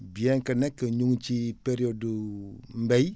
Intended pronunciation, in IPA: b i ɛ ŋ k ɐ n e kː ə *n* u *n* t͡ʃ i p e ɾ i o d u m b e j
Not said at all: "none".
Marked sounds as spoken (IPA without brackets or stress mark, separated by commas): ɲ, ŋ